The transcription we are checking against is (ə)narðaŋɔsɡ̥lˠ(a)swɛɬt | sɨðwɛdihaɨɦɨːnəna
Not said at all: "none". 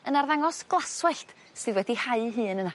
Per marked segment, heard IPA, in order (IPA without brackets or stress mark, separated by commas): ə, a